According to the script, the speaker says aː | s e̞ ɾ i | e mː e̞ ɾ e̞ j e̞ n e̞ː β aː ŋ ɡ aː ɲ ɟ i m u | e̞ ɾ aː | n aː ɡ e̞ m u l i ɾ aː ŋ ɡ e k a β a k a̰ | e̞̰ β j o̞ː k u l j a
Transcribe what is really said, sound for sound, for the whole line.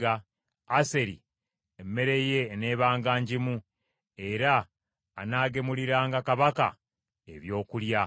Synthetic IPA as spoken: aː | s e̞ ɾ i | e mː e̞ ɾ e̞ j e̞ n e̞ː β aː ŋ ɡ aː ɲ ɟ i m u | e̞ ɾ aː | n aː ɡ e̞ m u l i ɾ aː ŋ ɡ a k a β a k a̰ | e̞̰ β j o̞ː k u l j a